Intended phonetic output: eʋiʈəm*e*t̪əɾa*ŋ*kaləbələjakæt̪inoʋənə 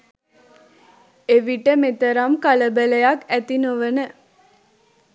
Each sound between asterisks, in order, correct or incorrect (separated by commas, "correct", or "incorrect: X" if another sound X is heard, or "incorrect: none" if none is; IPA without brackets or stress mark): correct, incorrect: m